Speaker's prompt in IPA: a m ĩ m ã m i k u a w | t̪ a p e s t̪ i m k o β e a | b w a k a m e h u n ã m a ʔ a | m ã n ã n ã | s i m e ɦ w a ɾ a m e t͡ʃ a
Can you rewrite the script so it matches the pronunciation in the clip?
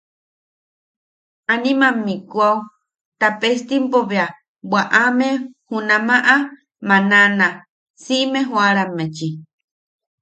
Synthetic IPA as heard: a n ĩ m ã m i k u a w | t̪ a p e s t̪ i m p o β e a | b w a ʔ a m e h u n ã m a ʔ a | m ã n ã n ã | s i m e ɦ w a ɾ a m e t͡ʃ i